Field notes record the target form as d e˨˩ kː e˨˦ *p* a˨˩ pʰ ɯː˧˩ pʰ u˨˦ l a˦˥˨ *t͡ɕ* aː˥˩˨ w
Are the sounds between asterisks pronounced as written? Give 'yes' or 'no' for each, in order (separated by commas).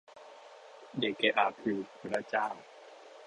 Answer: no, yes